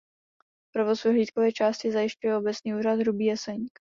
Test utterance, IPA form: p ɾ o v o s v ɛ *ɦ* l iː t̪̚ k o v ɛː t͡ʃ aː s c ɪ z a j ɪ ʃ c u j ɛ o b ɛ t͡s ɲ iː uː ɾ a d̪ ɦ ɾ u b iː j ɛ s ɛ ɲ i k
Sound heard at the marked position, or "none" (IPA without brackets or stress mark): ɦ